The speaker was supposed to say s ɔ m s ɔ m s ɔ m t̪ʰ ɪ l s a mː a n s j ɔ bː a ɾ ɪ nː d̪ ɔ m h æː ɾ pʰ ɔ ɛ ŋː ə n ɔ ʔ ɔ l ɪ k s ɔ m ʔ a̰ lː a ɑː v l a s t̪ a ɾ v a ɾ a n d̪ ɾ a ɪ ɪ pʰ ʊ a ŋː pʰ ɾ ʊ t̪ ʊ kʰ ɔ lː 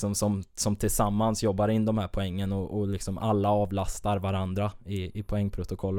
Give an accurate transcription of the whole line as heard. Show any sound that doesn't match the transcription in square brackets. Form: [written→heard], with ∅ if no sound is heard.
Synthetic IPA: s ɔ m s ɔ m s ɔ m t̪ʰ ɪ l s a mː a n s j ɔ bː a ɾ ɪ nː d̪ ɔ m h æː ɾ pʰ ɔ ɛ ŋː ə n ɔ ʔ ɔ l ɪ k s ɔ m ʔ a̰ lː a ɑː v l a s t̪ a ɾ v a ɾ a n d̪ ɾ a ɪ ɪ pʰ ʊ [a→ɛ] ŋː pʰ ɾ ʊ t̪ ʊ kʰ ɔ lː